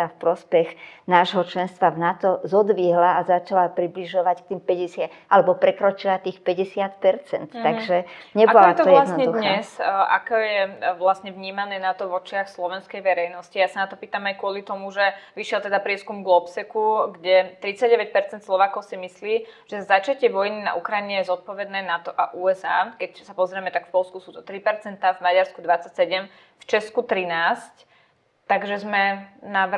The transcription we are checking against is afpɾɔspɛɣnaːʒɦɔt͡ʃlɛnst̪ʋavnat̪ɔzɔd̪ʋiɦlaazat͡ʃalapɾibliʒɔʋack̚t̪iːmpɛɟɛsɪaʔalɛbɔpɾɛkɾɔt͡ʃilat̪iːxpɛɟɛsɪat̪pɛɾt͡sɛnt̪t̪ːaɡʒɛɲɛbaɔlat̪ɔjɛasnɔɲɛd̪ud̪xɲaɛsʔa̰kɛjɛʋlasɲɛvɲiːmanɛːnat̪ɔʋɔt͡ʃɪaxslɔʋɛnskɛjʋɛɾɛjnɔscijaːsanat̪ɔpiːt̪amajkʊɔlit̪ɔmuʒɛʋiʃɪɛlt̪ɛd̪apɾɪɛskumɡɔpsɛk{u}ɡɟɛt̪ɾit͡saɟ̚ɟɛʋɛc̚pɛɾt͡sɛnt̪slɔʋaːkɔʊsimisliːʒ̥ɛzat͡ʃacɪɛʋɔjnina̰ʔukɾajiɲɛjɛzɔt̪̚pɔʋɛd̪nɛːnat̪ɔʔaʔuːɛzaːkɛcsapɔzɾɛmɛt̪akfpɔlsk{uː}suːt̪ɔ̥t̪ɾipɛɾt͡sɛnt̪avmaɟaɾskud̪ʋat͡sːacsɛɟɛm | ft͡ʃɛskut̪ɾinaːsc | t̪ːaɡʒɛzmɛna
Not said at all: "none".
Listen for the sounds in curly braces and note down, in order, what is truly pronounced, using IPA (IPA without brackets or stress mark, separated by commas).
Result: u, u